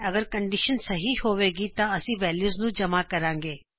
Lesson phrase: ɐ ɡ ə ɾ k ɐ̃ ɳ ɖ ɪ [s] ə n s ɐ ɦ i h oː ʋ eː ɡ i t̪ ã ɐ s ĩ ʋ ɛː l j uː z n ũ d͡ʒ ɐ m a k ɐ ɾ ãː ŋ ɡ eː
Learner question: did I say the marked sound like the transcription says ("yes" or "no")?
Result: no